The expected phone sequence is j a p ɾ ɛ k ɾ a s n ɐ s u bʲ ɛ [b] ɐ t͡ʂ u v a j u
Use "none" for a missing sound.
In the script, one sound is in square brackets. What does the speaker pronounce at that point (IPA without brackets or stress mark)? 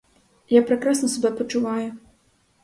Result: p